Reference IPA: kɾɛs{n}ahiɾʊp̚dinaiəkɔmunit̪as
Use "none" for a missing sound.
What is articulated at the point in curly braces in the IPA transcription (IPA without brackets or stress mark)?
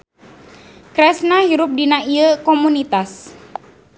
n